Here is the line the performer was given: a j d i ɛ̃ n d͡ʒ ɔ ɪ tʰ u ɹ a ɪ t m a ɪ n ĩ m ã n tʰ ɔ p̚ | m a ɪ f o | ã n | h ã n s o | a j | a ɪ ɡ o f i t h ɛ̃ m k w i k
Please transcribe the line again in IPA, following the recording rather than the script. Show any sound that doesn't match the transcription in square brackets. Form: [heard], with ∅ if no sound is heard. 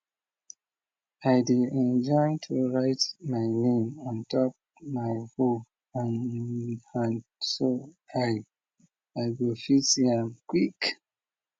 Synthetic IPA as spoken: a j d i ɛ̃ n d͡ʒ ɔ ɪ tʰ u ɹ a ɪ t m a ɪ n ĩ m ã n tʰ ɔ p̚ | m a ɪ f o | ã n | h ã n s o | a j | a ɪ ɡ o f i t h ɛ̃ m k w i k

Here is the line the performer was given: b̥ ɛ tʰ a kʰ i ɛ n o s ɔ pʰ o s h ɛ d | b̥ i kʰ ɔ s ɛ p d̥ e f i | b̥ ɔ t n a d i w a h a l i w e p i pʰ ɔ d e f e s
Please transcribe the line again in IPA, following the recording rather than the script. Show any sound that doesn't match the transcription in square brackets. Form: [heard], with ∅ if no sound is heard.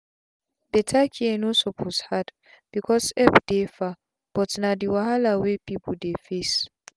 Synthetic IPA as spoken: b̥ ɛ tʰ a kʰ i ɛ n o s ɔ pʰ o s h [a] d | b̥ i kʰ ɔ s ɛ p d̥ e f [a] | b̥ ɔ t n a d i w a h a l [a] w e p i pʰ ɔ d e f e s

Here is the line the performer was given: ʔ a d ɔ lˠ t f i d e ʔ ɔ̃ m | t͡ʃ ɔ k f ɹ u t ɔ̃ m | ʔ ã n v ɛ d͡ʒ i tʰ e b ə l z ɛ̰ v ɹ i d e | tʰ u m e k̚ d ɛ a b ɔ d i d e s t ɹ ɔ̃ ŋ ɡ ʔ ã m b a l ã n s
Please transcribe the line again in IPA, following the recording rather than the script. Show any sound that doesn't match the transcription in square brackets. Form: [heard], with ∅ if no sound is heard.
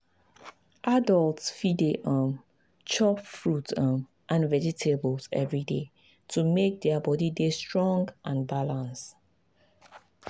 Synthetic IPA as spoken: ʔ a d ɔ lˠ t f i d e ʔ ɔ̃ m | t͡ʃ ɔ [p] f ɹ u t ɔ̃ m | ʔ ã n v ɛ d͡ʒ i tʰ e b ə l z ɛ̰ v ɹ i d e | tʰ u m e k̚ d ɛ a b ɔ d i d e s t ɹ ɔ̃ ŋ ɡ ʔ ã [n] b a l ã n s

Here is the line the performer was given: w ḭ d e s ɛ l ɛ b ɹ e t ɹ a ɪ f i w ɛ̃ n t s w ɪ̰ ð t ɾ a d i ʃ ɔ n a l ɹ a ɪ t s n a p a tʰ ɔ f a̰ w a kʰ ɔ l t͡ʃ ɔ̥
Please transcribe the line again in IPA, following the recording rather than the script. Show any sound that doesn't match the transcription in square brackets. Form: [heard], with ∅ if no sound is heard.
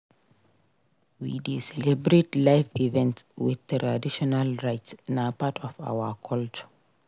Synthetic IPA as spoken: w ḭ d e s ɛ l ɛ b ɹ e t [l] a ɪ f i [v] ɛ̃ n t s w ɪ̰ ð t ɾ a d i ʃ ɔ n a l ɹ a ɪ t s n a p a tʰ ɔ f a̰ w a kʰ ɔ l t͡ʃ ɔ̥

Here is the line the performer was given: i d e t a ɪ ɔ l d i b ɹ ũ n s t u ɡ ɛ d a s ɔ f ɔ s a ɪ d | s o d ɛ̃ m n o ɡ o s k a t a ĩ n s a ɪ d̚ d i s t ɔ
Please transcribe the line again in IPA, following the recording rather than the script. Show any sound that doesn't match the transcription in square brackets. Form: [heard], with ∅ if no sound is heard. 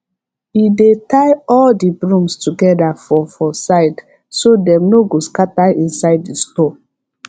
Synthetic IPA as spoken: i d e t a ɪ ɔ l d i b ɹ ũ [m] s t u ɡ ɛ d a [f] ɔ f ɔ s a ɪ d | s o d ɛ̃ m n o ɡ o s k a t a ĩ n s a ɪ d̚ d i s t ɔ

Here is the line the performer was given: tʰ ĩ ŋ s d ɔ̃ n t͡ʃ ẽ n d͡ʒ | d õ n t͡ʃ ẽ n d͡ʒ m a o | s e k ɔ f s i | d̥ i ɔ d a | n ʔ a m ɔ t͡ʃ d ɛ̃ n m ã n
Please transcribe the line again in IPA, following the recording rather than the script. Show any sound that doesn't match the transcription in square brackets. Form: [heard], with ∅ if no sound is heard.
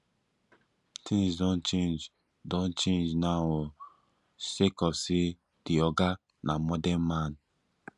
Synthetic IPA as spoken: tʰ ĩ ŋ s d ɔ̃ n t͡ʃ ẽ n d͡ʒ | d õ n t͡ʃ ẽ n d͡ʒ [n] a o | s e k ɔ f s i | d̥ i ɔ [ɡ] a | n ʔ a m ɔ [∅] d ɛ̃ n m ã n

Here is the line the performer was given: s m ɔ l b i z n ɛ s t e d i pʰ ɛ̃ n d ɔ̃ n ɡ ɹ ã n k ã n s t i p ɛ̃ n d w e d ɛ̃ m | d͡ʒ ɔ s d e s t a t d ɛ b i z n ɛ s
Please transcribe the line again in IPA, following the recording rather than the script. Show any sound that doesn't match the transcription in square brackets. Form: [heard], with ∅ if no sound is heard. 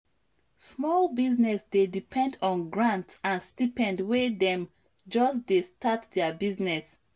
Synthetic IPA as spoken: s m ɔ l b i z n ɛ s [d] e d i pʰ ɛ̃ n d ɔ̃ n ɡ ɹ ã n [t] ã n s t i p ɛ̃ n d w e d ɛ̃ m | d͡ʒ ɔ s d e s t a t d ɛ b i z n ɛ s

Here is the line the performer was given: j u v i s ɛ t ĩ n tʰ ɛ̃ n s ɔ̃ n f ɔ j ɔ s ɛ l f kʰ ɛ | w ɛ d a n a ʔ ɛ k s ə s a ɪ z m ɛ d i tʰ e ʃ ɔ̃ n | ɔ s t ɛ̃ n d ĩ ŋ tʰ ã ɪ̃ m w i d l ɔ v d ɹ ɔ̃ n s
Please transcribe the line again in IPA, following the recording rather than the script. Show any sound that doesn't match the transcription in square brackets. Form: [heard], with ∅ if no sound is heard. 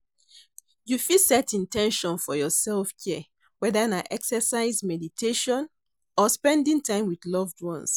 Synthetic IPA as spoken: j u [f] i s ɛ t ĩ n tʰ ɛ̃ n [ʃ] ɔ̃ n f ɔ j ɔ s ɛ l f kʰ ɛ | w ɛ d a n a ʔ ɛ k s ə s a ɪ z m ɛ d i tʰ e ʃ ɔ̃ n | ɔ s [p] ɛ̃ n d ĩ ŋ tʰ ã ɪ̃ m w i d l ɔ v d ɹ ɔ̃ n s

